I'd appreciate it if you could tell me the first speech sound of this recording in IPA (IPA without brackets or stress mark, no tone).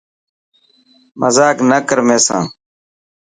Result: m